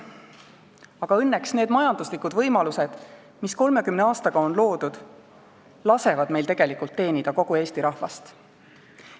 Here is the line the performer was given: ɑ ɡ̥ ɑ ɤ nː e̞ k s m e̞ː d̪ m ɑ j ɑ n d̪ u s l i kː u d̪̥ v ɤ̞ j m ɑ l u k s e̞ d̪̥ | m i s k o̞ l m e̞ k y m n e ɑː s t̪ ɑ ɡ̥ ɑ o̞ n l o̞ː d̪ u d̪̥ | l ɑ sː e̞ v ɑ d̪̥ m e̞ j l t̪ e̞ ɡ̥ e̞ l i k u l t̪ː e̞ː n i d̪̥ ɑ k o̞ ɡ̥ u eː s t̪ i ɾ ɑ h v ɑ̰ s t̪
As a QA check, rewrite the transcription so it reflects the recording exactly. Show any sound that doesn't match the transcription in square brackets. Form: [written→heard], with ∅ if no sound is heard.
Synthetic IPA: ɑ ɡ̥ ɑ ɤ nː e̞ k s [m→n] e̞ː d̪ m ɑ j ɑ n d̪ u s l i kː u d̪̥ v ɤ̞ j m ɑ l u [k→∅] s e̞ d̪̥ | m i s k o̞ l m e̞ k y m n e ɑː s t̪ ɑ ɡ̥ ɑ o̞ n l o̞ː d̪ u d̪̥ | l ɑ [sː→s] e̞ v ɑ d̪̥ m e̞ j l t̪ e̞ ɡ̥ e̞ l i k u l t̪ː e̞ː n i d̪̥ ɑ k o̞ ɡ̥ u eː s t̪ i ɾ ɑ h v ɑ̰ s t̪